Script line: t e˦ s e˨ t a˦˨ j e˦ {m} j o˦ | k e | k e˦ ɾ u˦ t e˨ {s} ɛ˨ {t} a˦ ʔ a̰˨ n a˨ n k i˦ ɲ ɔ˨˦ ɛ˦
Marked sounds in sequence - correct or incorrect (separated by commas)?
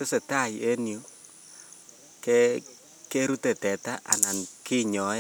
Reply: incorrect, incorrect, correct